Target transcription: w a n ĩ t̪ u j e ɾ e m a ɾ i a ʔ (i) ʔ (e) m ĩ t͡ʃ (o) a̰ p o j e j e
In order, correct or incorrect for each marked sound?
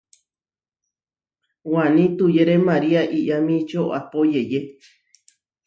correct, incorrect, correct

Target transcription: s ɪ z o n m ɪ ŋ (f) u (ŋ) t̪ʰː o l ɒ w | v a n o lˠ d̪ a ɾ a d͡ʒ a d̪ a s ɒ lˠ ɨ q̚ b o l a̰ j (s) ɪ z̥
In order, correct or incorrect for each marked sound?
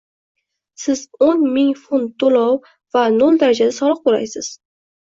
correct, incorrect, correct

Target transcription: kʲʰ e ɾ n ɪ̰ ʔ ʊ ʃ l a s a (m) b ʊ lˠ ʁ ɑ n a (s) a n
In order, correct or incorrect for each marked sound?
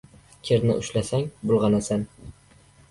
incorrect, correct

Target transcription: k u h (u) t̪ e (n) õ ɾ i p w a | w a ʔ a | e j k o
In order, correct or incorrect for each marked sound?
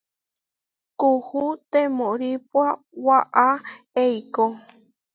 correct, incorrect

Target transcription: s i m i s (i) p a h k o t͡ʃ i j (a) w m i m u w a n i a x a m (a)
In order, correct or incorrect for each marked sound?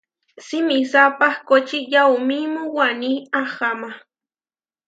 incorrect, correct, correct

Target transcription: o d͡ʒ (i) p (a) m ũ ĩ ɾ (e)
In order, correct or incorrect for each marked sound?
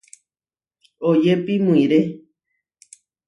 incorrect, incorrect, correct

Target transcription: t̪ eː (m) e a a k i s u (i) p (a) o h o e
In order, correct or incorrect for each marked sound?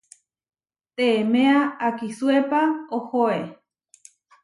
correct, incorrect, correct

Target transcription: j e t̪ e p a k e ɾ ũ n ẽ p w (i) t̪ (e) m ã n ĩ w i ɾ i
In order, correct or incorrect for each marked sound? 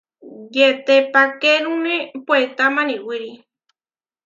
incorrect, incorrect

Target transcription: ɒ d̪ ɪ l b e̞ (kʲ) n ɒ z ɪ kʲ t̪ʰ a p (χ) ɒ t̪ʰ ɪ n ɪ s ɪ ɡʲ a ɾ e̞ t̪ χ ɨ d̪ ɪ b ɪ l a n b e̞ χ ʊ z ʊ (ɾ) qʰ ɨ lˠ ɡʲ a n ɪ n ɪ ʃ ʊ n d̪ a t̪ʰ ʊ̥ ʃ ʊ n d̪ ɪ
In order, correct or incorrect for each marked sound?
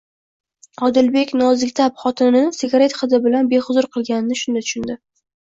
correct, correct, correct

